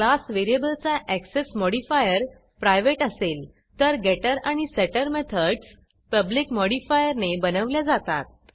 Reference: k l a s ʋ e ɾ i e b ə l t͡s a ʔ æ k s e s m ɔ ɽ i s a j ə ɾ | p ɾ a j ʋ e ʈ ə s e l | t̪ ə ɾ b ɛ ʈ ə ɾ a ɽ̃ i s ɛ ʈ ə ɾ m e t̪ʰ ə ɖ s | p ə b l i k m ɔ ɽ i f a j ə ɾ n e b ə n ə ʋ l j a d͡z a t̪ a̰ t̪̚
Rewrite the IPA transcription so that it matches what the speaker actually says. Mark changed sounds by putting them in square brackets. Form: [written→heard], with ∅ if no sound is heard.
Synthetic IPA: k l a s ʋ e ɾ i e b ə l t͡s a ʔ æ k s e s m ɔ ɽ i [s→f] a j ə ɾ | p ɾ a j ʋ e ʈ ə s e l | t̪ ə ɾ [b→ɡ] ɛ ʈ ə ɾ a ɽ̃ i s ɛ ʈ ə ɾ m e t̪ʰ ə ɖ s | p ə b l i k m ɔ ɽ i f a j ə ɾ n e b ə n ə ʋ l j a d͡z a t̪ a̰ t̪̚

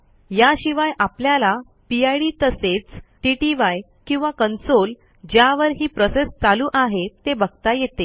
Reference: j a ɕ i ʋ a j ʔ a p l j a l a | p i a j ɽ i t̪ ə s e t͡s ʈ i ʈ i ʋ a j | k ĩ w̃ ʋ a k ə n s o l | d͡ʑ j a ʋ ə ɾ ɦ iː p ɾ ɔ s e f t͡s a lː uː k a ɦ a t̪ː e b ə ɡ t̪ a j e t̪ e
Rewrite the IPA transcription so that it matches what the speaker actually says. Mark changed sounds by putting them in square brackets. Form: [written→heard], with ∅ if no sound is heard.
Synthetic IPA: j a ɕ i ʋ a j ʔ a p l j a l a | p i a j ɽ i t̪ ə s e t͡s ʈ i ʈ i ʋ a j | k ĩ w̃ ʋ a k ə n s o l | d͡ʑ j a ʋ ə ɾ ɦ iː p ɾ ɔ s e [f→s] t͡s a [lː→l] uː [k→ʔ] a ɦ [a→e] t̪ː e b ə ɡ t̪ a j e t̪ e

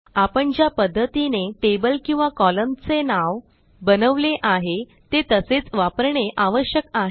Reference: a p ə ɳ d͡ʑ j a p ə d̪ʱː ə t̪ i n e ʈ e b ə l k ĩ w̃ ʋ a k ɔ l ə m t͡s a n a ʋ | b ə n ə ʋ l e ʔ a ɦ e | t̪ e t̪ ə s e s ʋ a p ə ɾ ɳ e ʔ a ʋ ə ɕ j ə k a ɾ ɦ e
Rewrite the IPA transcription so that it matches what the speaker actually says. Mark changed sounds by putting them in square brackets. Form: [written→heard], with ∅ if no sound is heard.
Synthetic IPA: a p ə ɳ d͡ʑ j a p ə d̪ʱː ə t̪ i n e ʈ e b ə l k ĩ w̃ ʋ a k ɔ l ə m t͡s [a→e] n a ʋ | b ə n ə ʋ l e ʔ a ɦ e | t̪ e t̪ ə s e [s→t͡s] ʋ a p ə ɾ ɳ e ʔ a ʋ ə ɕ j ə k a [ɾ→∅] ɦ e

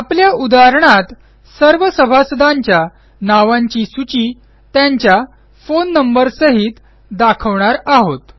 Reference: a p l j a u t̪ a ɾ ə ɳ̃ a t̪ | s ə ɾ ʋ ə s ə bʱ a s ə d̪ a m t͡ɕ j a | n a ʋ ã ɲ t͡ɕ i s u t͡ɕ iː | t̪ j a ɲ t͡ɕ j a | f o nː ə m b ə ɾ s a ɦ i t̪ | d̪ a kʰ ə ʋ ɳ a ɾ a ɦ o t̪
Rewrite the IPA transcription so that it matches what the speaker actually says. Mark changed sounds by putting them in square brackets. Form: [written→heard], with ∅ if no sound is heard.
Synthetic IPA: a p l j a u [t̪→d̪] a ɾ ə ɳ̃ a t̪ | s ə ɾ ʋ ə s ə bʱ a s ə d̪ a [m→ɲ] t͡ɕ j a | n a ʋ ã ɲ t͡ɕ i s u t͡ɕ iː | t̪ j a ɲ t͡ɕ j a | f o nː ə m b ə ɾ s [a→ə] ɦ i t̪ | d̪ a kʰ ə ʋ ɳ a ɾ a ɦ o t̪

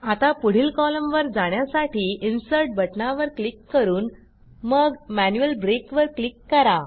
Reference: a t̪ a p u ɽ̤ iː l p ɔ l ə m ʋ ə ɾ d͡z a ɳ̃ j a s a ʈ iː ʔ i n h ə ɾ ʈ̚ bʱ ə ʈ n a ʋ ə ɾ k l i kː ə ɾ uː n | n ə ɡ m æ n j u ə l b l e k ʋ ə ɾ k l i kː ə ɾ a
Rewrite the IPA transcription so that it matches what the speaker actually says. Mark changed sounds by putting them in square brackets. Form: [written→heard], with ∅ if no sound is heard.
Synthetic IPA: a t̪ a p u ɽ̤ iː l [p→k] ɔ l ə m ʋ ə ɾ d͡z a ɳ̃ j a s a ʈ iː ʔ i n [h→s] ə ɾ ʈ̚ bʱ ə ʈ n a ʋ ə ɾ k l i kː ə ɾ uː n | [n→m] ə ɡ m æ n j u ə l b [l→ɾ] e k ʋ ə ɾ k l i kː ə ɾ a

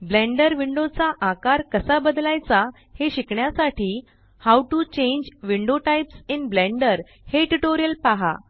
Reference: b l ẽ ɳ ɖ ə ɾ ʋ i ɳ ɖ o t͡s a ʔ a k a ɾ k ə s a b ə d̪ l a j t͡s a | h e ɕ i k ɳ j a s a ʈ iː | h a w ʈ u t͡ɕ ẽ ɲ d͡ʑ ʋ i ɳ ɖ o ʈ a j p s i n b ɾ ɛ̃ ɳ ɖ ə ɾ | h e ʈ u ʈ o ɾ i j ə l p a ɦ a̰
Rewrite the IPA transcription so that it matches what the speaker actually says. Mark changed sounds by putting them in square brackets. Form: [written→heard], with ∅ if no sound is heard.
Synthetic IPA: b l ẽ ɳ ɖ ə ɾ ʋ i ɳ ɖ o t͡s a ʔ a k a ɾ k ə s a b ə d̪ l a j t͡s a | h e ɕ i k ɳ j a s a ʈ iː | h a w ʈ u t͡ɕ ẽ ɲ d͡ʑ ʋ i ɳ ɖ o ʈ a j p s i n b [ɾ→l] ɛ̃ ɳ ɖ ə ɾ | h e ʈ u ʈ o ɾ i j ə l p a ɦ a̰

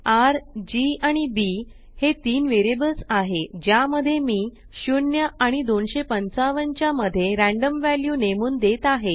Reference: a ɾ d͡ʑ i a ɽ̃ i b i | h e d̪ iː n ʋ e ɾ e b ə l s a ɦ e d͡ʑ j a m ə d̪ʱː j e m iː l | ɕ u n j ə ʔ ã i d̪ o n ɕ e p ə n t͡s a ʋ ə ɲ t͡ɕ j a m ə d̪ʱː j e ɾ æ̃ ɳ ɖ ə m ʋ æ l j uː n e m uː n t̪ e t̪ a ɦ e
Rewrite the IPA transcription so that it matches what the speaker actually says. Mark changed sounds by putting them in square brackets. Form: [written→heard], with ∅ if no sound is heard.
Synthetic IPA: a ɾ d͡ʑ i a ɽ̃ i b i | h e [d̪→t̪] iː n ʋ e ɾ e b ə l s a ɦ e d͡ʑ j a m ə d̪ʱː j e m iː [l→∅] | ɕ u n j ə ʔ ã i d̪ o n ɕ e p ə n t͡s a ʋ ə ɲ t͡ɕ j a m ə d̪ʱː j e ɾ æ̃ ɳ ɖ ə m ʋ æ l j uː n e m uː n [t̪→d̪] e t̪ a ɦ e

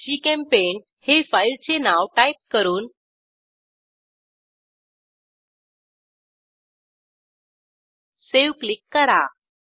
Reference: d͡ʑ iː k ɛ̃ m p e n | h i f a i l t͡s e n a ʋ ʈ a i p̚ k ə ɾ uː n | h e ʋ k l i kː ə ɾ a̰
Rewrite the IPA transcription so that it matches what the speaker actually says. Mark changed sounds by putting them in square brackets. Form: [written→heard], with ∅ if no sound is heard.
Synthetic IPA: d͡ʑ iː k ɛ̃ m p e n | h [i→e] f a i l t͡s e n a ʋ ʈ a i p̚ k ə ɾ uː n | [h→s] e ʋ k l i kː ə ɾ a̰

